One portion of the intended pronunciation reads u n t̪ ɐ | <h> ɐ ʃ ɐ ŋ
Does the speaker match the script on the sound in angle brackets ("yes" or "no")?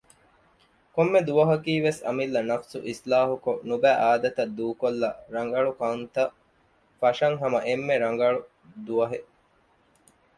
no